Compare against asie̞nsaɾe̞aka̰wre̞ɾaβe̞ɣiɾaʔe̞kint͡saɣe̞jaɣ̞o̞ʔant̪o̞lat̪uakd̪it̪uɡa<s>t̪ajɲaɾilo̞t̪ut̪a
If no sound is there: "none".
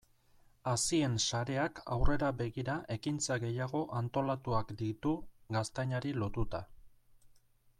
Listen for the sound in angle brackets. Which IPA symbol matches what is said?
s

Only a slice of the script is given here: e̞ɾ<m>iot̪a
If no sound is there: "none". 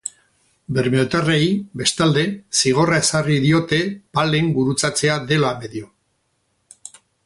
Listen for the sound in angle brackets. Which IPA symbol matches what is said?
m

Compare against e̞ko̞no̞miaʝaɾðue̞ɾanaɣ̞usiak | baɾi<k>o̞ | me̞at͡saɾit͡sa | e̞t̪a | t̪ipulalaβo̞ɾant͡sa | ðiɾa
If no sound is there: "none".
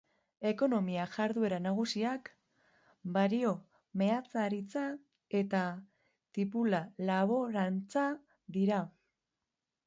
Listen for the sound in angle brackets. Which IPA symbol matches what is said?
none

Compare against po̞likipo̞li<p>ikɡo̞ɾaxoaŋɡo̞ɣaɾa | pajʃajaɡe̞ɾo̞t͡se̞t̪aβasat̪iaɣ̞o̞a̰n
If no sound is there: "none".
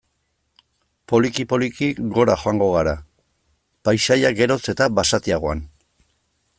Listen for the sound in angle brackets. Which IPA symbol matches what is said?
k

